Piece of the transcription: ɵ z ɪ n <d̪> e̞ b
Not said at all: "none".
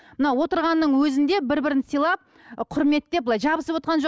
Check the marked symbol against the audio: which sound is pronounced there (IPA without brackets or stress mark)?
d̪